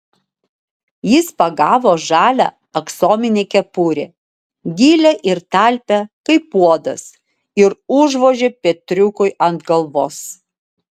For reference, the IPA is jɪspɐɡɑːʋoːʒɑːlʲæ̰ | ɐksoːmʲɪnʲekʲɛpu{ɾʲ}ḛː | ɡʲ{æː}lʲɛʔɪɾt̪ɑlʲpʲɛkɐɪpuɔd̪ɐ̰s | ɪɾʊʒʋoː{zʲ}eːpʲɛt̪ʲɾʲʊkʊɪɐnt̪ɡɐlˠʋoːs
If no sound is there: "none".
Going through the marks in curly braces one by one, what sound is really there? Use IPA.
ɾʲ, iː, ʒʲ

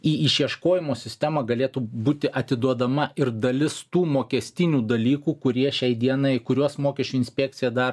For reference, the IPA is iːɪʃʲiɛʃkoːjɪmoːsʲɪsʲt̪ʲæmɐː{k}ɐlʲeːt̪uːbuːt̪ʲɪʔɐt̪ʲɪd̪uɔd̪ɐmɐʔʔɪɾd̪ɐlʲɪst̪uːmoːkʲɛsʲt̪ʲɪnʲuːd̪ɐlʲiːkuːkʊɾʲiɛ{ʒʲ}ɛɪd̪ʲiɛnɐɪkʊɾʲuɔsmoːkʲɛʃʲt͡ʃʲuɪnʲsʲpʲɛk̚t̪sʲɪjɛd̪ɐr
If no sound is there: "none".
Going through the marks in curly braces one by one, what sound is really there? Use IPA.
ɡ, ʃʲ

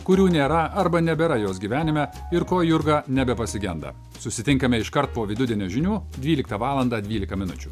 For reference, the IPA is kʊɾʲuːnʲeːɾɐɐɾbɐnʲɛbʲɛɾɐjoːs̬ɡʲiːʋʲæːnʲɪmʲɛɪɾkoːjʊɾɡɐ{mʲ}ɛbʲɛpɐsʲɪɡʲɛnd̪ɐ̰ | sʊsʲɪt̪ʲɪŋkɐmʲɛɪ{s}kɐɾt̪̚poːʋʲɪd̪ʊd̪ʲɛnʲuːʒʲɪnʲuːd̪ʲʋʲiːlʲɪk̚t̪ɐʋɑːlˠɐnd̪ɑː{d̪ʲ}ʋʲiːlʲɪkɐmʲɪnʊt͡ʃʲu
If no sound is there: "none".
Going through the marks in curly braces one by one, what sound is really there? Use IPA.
nʲ, ʃ, d̪ʲ

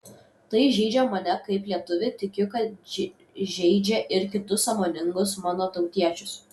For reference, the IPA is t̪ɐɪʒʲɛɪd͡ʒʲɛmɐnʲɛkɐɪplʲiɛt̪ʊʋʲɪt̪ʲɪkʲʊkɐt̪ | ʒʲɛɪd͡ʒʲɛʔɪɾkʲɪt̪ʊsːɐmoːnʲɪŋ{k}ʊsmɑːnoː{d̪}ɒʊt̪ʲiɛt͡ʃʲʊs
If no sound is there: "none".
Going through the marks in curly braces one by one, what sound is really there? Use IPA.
ɡ, t̪

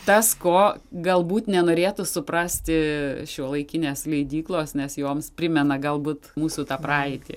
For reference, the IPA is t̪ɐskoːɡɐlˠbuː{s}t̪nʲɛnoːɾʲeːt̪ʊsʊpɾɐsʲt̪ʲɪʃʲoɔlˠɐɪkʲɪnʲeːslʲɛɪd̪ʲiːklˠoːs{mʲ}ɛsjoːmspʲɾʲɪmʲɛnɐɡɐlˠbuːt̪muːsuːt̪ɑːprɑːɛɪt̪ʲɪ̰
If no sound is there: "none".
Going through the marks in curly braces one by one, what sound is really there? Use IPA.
none, nʲ

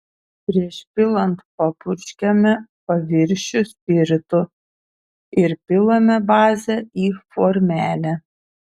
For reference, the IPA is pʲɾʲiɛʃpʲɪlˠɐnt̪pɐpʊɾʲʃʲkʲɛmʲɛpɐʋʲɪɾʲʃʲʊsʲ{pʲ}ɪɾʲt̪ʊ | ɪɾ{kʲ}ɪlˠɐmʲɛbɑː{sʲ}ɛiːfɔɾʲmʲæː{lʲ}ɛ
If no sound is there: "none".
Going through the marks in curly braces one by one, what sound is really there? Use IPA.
pʲ, pʲ, zʲ, lʲ

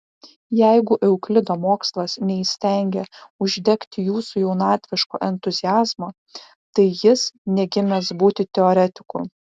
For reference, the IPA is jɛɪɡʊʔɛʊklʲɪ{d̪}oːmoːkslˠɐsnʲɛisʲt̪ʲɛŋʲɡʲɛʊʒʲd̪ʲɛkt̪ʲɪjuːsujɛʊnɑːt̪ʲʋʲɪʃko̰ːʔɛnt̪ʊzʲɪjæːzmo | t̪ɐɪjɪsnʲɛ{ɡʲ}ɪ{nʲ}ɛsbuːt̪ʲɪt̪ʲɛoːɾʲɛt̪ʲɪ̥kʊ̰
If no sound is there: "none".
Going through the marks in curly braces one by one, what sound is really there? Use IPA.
d̪, ɡʲ, mʲ

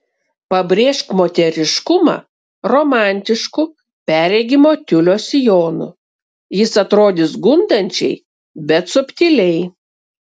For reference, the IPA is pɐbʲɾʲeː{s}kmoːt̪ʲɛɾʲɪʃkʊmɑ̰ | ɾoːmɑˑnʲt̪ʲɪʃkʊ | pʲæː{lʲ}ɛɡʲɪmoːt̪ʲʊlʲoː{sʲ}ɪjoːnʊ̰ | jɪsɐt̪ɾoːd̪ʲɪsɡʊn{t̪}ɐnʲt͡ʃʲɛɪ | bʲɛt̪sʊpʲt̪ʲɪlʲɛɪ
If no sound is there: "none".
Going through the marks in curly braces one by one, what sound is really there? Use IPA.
ʃ, ɾʲ, sʲ, d̪

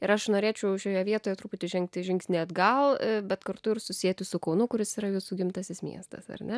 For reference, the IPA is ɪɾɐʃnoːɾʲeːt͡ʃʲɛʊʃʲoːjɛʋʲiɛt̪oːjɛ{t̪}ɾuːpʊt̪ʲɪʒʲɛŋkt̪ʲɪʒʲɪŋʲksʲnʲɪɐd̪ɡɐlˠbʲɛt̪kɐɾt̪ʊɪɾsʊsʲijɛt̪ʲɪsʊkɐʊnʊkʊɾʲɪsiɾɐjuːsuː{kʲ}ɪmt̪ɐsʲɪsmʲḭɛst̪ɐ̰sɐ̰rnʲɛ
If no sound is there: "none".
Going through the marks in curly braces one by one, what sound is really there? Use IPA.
t̪, ɡʲ

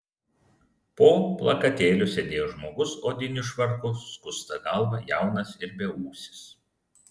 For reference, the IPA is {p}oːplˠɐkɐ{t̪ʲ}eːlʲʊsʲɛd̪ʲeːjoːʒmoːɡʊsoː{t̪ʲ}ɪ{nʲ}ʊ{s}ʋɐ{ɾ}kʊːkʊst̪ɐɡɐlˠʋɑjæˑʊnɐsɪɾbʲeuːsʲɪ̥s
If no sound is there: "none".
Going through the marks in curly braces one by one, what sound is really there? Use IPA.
p, t̪ʲ, d̪ʲ, nʲ, ʃ, ɾ

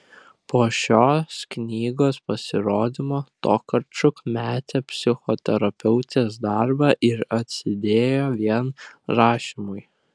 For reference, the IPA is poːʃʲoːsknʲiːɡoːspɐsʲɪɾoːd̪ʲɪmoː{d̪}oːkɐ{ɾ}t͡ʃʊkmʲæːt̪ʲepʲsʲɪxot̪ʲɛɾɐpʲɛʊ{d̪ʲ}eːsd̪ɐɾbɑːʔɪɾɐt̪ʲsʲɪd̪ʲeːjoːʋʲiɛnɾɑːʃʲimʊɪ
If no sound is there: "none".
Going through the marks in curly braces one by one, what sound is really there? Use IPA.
t̪, ɾ, t̪ʲ

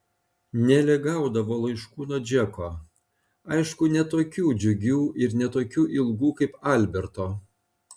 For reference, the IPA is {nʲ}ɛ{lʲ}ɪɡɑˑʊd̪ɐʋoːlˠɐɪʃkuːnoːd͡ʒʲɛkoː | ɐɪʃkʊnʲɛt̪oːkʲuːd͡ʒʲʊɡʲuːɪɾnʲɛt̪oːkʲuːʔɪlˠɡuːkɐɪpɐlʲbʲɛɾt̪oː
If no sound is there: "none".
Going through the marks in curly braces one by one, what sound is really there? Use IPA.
nʲ, lʲ

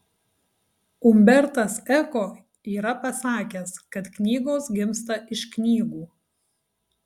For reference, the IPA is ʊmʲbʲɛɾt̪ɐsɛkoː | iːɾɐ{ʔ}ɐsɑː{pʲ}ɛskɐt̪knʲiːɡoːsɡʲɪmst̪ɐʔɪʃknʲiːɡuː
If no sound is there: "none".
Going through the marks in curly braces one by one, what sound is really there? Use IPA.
p, kʲ

